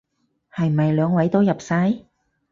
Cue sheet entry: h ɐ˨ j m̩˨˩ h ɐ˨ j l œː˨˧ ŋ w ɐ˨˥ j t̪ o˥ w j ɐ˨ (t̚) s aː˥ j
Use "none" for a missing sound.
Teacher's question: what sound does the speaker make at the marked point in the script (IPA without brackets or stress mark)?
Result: p̚